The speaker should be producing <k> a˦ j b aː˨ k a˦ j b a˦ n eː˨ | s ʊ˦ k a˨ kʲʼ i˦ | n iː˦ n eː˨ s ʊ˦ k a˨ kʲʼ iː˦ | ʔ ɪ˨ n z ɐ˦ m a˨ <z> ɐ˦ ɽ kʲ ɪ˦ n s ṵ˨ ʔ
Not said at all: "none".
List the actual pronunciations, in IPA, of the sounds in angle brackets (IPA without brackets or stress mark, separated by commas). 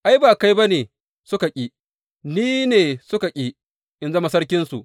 ʔ, s